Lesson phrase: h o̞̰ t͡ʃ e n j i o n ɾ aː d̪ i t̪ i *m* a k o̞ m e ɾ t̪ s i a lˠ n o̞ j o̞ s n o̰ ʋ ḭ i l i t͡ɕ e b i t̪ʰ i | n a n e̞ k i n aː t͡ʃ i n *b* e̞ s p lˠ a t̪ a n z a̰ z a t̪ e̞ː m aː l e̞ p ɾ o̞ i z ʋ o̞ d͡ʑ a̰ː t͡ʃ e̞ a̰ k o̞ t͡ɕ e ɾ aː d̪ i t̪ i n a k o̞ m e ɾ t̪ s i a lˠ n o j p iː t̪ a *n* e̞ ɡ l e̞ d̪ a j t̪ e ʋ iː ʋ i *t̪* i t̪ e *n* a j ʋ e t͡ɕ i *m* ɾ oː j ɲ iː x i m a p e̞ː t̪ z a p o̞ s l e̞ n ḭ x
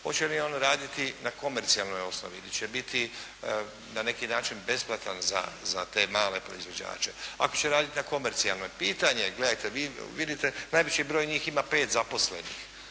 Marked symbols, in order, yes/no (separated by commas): no, yes, no, no, yes, no